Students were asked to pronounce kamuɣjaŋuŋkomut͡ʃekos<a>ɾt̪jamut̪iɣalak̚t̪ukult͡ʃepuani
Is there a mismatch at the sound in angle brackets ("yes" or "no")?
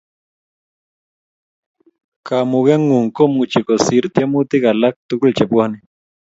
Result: yes